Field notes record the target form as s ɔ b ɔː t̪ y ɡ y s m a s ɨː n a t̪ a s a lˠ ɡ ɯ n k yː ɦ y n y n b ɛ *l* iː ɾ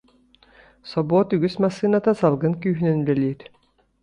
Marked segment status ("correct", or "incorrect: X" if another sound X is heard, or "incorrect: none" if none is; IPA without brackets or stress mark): correct